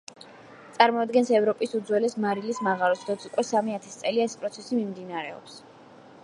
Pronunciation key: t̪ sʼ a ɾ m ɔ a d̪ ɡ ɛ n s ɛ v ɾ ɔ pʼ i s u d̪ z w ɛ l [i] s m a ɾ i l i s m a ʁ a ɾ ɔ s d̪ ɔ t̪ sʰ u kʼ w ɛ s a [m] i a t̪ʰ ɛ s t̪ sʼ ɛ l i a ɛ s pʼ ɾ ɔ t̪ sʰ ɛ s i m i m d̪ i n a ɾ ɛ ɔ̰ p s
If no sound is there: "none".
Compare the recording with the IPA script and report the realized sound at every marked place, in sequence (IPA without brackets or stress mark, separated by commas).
ɛ, m